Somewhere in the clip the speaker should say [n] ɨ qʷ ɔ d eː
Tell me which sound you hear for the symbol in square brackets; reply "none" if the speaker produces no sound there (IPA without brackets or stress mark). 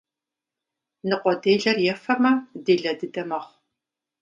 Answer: n